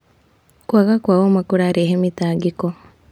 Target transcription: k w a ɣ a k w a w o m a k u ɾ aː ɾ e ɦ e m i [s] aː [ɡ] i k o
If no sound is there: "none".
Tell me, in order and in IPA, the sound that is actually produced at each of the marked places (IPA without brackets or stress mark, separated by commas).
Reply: t, ɡ